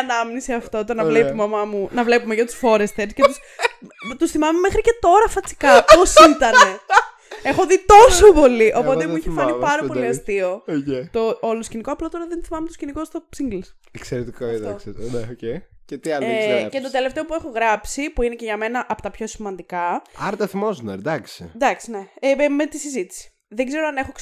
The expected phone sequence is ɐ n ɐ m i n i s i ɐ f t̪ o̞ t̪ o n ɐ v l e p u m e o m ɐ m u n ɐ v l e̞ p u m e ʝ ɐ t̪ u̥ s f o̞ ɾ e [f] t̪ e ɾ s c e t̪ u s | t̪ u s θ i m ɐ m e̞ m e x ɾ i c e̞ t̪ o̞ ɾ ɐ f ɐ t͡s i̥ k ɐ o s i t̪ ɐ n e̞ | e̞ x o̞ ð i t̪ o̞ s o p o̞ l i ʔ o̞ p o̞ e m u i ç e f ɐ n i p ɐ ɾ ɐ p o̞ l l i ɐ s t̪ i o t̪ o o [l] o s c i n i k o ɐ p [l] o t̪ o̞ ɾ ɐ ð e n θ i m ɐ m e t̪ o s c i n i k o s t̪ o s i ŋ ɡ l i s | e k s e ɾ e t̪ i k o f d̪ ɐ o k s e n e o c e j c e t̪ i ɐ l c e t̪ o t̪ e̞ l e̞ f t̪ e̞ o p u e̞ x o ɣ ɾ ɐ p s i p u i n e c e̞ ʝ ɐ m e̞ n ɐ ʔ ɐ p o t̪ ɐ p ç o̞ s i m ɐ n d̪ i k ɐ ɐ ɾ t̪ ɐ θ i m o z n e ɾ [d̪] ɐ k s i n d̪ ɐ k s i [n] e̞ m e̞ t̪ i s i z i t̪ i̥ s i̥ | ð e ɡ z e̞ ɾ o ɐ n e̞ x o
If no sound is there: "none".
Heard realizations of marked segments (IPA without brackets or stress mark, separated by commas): s, l, l, d̪, n